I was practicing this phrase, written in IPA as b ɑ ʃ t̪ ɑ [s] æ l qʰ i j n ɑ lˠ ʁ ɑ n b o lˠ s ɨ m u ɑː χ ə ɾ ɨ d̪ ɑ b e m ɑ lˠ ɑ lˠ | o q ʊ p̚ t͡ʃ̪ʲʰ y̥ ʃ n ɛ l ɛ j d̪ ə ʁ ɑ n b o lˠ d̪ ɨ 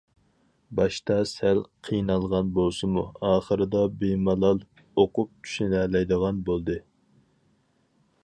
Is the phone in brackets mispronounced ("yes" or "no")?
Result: no